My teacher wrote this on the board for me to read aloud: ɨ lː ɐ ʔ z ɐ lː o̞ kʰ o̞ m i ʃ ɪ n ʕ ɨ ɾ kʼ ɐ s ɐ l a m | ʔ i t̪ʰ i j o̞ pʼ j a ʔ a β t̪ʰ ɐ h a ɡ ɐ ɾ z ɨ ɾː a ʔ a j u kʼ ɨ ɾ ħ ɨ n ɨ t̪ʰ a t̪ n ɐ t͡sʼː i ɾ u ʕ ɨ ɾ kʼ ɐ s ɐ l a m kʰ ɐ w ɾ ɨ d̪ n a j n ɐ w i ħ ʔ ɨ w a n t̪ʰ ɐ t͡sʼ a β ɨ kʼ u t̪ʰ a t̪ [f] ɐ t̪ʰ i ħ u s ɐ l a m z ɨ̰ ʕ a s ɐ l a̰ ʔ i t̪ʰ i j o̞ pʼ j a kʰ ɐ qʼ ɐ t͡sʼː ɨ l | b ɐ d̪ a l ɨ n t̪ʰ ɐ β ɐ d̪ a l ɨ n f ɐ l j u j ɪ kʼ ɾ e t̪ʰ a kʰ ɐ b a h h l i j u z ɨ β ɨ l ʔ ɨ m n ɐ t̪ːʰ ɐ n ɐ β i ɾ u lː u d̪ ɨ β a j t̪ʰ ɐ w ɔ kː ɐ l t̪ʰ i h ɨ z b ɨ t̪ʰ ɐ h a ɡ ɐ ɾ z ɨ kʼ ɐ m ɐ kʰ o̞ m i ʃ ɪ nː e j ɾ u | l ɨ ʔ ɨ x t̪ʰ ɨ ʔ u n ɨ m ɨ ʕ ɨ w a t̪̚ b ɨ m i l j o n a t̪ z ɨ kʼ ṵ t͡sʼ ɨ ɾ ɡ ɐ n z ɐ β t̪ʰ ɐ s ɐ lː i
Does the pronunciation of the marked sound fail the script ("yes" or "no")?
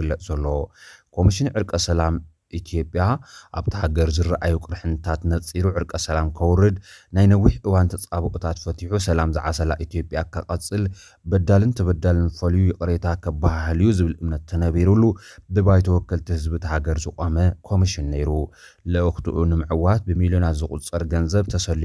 no